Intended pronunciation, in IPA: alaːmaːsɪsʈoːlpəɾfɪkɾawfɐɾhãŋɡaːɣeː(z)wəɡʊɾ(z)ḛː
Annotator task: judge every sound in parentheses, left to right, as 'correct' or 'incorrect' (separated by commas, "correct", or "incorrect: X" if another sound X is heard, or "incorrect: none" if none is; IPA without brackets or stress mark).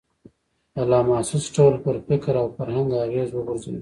correct, correct